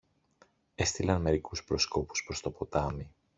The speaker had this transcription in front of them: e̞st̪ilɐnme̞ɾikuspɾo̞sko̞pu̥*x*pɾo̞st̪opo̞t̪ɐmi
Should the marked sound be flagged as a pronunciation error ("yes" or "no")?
yes